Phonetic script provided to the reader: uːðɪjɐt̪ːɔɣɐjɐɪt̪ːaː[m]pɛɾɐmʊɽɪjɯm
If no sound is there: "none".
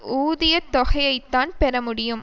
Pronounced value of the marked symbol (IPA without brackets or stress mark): n